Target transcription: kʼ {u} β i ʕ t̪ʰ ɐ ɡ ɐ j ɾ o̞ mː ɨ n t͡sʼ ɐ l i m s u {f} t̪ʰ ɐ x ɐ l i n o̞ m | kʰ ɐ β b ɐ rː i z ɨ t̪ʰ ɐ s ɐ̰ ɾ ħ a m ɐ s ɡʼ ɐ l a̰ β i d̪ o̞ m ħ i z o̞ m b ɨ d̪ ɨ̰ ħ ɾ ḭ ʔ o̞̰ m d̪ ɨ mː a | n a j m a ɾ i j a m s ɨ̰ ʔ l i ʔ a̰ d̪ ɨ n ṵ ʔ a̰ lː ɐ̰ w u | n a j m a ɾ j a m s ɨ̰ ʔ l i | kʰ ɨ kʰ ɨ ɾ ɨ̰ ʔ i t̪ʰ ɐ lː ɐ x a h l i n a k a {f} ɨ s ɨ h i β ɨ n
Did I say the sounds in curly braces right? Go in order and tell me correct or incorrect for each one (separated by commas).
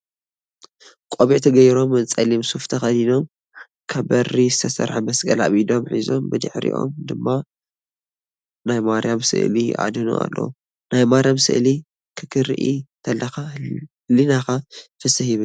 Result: incorrect, correct, correct